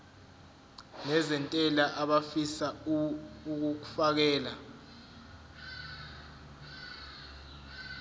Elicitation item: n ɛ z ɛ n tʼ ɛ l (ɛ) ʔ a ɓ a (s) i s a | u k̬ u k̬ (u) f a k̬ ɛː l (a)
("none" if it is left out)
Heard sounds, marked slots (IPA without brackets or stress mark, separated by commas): a, f, u, a